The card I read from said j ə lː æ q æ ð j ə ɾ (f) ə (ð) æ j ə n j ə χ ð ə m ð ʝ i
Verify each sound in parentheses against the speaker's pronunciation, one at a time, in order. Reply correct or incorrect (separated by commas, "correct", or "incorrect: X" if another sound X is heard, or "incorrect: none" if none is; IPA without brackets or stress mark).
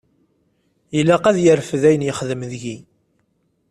correct, correct